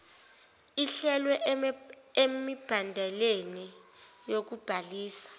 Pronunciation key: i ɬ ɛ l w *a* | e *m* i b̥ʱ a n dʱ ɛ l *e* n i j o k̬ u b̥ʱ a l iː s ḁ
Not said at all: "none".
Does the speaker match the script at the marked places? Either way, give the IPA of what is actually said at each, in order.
ɛ, m, e

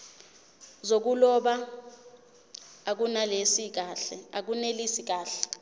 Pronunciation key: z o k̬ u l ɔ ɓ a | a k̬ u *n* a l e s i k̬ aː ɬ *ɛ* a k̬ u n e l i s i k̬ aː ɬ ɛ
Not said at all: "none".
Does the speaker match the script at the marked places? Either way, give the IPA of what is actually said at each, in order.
n, ɛ

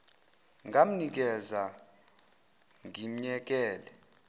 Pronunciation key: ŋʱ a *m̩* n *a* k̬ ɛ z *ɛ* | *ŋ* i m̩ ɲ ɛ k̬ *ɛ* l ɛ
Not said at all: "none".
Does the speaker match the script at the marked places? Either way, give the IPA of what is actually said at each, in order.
m̩, i, a, ŋ, ɛː

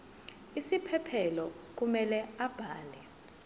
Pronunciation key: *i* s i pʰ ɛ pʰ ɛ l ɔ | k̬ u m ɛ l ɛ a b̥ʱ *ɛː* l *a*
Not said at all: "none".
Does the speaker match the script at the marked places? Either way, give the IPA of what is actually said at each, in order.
i, aː, ɛ

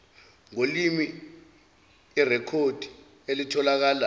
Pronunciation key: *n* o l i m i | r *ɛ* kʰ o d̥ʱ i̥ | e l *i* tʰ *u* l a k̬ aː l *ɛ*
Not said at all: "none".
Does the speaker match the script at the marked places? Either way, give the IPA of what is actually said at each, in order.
ŋ, ɛ, i, ɔ, a

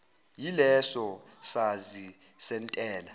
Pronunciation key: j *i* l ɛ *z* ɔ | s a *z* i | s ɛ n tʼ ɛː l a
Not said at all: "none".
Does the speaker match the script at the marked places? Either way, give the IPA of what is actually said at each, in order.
i, s, z

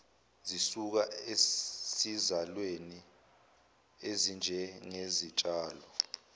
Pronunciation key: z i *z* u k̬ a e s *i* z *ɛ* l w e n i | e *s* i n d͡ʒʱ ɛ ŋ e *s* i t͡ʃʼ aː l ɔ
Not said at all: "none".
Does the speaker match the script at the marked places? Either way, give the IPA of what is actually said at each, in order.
s, i, a, z, z

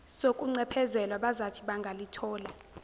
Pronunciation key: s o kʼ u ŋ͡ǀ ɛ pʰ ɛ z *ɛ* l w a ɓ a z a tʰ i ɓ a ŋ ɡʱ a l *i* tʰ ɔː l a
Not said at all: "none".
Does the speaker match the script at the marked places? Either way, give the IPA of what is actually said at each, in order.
ɛ, i

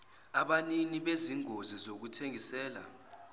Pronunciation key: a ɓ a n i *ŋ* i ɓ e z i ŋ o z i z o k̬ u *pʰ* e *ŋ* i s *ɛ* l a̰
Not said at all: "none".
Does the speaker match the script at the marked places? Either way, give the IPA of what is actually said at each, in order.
n, tʰ, ŋ, ɛː

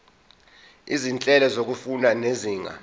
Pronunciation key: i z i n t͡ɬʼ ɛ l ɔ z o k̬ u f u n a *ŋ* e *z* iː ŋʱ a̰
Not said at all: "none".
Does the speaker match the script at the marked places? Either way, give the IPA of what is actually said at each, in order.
n, z

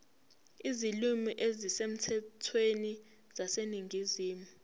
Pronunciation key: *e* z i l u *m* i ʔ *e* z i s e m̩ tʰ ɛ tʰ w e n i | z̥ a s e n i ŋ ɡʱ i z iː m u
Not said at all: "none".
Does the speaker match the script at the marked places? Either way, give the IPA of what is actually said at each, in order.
i, m, e

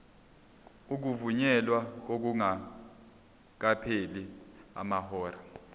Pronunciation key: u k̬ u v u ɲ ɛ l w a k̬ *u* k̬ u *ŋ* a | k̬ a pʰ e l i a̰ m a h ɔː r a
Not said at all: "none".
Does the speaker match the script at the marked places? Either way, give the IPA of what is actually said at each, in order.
o, ŋ

